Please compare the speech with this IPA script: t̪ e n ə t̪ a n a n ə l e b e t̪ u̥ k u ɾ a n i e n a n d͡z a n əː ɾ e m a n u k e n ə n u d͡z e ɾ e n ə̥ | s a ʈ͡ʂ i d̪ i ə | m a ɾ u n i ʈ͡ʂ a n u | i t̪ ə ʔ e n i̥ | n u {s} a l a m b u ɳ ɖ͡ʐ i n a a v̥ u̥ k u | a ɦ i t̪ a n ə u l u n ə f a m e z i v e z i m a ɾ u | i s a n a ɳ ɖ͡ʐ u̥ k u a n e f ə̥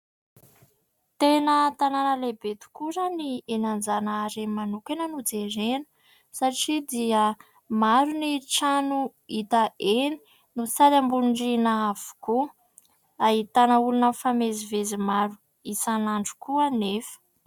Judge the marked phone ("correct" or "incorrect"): correct